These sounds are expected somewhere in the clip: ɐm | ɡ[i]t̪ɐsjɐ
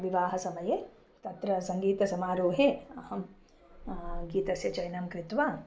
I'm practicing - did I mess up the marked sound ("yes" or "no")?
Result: yes